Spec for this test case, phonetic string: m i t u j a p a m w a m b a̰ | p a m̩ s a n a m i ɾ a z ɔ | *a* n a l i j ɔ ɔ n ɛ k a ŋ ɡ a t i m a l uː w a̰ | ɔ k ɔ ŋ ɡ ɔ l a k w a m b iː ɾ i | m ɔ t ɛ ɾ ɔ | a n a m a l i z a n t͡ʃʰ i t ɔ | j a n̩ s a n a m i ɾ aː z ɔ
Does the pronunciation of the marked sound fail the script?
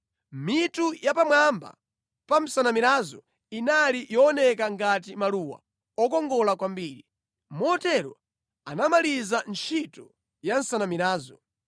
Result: yes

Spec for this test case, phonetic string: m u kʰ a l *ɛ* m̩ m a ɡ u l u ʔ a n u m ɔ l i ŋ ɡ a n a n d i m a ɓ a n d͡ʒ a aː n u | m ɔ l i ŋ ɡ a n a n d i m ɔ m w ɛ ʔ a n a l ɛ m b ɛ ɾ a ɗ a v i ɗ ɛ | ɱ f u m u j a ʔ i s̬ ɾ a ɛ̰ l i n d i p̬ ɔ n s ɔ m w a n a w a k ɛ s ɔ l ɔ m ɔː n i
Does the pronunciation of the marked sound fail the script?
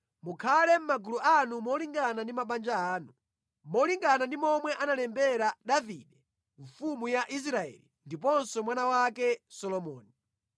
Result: no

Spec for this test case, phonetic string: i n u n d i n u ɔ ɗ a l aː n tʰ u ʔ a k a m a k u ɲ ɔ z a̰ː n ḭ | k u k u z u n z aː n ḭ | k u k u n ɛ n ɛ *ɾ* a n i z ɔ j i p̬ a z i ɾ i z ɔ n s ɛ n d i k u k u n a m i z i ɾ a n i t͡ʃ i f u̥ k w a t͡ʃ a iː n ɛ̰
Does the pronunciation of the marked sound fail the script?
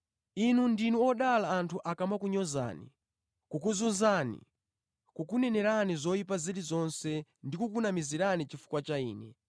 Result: no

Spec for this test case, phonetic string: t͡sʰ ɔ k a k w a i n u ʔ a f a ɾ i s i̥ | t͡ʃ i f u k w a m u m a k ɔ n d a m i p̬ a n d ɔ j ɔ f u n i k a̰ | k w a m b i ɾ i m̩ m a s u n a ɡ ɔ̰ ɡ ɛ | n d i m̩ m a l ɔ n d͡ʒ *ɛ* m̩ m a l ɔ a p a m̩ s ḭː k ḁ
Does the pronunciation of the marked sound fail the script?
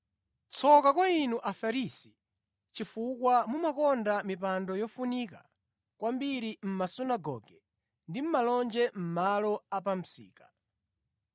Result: no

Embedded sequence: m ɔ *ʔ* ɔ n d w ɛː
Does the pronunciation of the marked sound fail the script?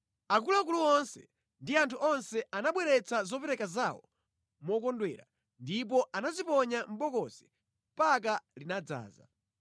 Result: yes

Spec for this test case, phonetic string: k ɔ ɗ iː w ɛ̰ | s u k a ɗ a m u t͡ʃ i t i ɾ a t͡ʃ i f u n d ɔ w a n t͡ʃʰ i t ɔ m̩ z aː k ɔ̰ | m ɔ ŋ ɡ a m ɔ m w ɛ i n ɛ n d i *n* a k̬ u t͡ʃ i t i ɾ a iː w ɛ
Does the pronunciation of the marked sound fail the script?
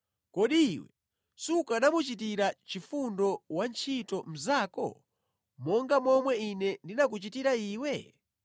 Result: no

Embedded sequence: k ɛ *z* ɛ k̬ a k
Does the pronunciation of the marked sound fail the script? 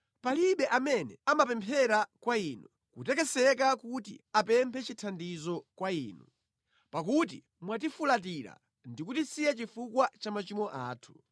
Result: yes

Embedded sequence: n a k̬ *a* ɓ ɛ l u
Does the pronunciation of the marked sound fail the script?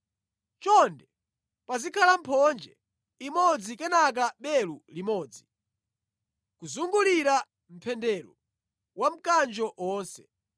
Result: no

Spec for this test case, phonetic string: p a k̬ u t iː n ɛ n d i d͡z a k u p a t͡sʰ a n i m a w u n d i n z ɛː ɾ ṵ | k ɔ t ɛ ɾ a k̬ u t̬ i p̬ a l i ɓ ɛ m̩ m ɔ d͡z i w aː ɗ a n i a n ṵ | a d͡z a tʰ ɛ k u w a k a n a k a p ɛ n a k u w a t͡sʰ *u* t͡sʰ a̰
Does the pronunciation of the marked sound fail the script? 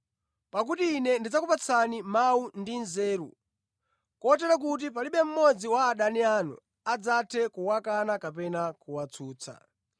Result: yes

